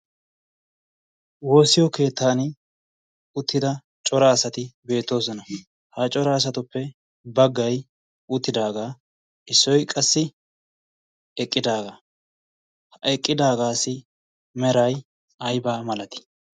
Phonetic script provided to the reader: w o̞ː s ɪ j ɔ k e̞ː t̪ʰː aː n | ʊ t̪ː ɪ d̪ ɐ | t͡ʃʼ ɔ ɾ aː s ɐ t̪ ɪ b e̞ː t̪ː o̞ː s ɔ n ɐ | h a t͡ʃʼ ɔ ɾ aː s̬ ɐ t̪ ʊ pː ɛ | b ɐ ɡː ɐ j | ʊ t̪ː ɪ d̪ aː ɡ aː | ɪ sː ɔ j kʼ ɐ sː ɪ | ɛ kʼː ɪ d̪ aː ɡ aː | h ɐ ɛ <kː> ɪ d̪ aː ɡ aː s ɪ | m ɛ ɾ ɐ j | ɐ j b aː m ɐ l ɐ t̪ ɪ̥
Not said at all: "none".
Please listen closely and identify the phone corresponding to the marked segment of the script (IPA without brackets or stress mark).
kʼː